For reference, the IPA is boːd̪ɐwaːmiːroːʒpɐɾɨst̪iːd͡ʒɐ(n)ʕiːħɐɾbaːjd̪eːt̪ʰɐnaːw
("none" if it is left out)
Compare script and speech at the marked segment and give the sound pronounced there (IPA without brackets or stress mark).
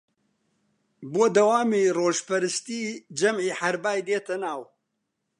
m